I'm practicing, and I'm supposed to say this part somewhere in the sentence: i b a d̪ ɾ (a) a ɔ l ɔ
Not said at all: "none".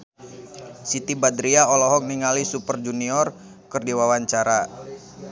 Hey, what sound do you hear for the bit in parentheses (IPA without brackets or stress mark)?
i